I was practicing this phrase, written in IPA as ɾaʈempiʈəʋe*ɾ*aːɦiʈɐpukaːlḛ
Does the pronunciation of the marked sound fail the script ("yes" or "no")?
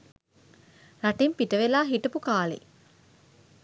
yes